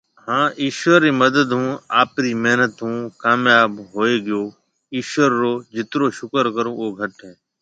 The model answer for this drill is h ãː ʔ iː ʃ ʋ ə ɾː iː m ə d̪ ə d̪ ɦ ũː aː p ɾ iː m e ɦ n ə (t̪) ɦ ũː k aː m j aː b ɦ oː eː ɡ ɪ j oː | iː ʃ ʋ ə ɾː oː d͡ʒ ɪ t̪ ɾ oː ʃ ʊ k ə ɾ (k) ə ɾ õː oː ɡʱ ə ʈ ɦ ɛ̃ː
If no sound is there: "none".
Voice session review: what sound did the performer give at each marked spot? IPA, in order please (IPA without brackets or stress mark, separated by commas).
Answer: t̪, k